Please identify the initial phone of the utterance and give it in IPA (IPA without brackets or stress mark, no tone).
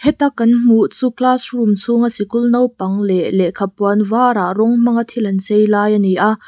h